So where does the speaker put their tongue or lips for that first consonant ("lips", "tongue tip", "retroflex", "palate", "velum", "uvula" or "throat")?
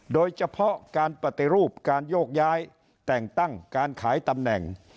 tongue tip